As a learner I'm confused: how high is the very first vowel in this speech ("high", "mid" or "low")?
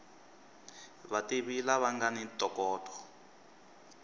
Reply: low